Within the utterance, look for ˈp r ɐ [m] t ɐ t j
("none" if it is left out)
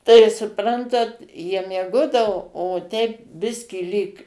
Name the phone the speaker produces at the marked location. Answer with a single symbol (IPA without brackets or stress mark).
n